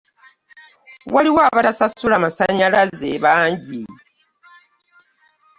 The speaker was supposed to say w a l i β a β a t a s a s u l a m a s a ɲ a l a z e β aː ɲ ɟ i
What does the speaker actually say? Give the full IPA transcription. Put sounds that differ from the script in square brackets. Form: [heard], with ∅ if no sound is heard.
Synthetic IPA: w a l i [w] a β a t a s a s u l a m a s a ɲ a l a z e β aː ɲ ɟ i

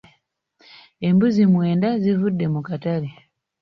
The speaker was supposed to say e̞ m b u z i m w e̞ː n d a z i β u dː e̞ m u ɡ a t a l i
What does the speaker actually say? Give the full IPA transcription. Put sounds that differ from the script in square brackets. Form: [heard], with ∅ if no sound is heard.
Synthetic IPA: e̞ m b u z i m w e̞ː n d a z i [v] u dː e̞ m u [k] a t a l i

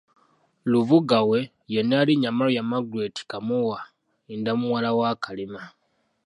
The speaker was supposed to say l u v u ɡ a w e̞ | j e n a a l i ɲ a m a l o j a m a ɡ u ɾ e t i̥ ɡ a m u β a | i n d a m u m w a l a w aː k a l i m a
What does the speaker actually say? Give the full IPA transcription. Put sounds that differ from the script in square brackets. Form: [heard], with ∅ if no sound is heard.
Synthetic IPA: l u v u ɡ a w e̞ | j e n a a l i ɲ a m a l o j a m a ɡ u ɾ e t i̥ [k] a m u [w] a | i n d a m u [∅] w a l a w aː k a l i m a

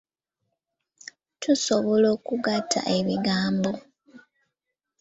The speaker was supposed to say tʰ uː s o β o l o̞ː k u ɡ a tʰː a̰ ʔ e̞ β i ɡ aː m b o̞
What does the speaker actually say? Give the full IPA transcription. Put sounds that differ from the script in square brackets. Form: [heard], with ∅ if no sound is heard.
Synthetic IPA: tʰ [u] s o β o l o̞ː k u ɡ a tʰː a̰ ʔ e̞ β i ɡ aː m b o̞

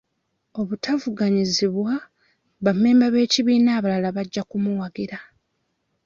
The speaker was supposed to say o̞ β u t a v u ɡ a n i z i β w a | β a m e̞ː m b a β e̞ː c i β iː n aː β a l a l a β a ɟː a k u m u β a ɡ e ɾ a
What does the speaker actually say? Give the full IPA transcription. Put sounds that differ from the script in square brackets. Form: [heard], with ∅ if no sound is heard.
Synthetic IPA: o̞ β u t a v u ɡ a [ɲ] i z i β w a | β a m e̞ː m b a β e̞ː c i β iː n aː β a l a l a β a ɟː a k u m u [w] a ɡ [i] ɾ a

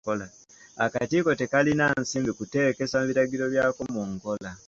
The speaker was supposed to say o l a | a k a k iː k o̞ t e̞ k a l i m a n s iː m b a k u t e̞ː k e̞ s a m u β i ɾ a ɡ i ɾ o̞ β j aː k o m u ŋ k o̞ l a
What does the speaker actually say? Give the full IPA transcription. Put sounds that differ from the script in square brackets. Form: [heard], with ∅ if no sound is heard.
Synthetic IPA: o l a | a k a [t] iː k o̞ t e̞ k a l i [n] a n s iː m b [i] k u t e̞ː k e̞ s a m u β i ɾ a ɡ i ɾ o̞ β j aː k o m u ŋ k o̞ l a

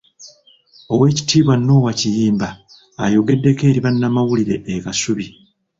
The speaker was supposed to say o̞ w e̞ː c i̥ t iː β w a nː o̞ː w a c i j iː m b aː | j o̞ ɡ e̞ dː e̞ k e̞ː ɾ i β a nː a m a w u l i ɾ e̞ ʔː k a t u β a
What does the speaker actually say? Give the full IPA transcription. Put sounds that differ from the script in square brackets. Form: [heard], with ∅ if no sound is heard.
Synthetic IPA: o̞ w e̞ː c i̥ t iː β w a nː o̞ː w a c i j iː m b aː | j o̞ ɡ e̞ dː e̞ k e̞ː ɾ i β a nː a m a w u l i ɾ e̞ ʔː k a [s] u β [i]

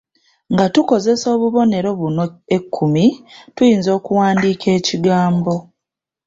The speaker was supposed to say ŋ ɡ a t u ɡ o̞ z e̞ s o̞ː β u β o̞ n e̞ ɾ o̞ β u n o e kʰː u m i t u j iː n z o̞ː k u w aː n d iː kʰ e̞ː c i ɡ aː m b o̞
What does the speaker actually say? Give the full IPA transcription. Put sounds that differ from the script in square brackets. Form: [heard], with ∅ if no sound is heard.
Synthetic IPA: ŋ ɡ a t u [k] o̞ z e̞ s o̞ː β u β o̞ n e̞ ɾ o̞ β u n o e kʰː u m i t u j iː n z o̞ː k u w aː n d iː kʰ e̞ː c i ɡ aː m b o̞

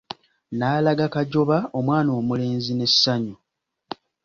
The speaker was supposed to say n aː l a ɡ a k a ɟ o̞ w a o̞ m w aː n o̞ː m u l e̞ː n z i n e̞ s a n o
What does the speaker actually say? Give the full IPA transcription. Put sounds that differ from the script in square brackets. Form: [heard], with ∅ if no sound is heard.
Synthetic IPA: n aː l a ɡ a k a ɟ o̞ [β] a o̞ m w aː n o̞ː m u l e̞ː n z i n e̞ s a [ɲ] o

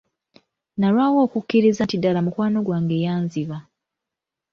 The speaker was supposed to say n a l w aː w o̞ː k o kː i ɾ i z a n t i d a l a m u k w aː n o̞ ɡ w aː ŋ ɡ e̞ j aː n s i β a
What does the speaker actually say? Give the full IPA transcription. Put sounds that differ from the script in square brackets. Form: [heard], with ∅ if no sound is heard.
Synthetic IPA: n a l w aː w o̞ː k [u] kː i ɾ i z a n t i d a l a m u k w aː n o̞ ɡ w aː ŋ ɡ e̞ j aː n [z] i β a

